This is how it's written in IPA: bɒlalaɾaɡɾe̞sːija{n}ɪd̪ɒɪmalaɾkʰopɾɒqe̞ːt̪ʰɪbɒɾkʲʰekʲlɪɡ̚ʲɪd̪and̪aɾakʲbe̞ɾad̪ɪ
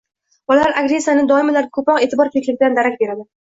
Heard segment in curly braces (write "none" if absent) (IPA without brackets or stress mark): n